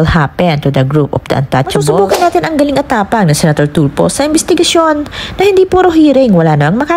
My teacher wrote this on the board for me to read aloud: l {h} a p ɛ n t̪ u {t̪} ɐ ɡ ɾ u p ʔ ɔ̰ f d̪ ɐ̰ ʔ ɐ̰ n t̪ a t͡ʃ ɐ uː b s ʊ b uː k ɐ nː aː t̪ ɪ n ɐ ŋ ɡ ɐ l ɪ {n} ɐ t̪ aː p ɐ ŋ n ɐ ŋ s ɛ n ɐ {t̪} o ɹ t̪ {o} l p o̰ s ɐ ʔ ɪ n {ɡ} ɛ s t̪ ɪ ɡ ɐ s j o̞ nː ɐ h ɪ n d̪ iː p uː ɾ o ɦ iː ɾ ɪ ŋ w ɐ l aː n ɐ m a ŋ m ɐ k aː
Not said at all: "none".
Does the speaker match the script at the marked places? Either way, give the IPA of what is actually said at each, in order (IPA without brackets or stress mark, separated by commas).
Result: h, d̪, ŋ, t̪, u, b